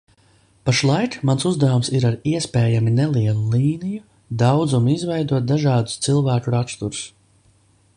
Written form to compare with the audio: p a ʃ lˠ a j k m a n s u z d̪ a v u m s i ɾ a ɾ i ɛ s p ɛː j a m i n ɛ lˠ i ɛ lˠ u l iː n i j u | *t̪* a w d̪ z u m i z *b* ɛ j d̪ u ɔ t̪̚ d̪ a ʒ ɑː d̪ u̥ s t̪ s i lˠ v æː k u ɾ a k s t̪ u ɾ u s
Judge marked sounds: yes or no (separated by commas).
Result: no, no